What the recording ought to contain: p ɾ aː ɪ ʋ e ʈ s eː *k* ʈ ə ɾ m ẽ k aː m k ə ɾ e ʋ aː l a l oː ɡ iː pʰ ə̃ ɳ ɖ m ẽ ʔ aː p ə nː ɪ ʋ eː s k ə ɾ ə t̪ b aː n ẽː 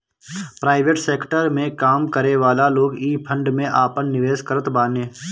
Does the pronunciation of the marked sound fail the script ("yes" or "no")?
no